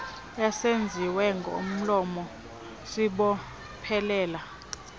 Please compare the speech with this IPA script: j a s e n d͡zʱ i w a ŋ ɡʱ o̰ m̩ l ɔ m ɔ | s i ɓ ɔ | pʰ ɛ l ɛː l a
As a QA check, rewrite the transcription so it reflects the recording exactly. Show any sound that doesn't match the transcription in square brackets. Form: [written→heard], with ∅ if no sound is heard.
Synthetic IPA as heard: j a s e n d͡zʱ i w [a→ɛ] ŋ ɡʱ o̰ m̩ l ɔ m ɔ | s i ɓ ɔ | pʰ ɛ l ɛː l a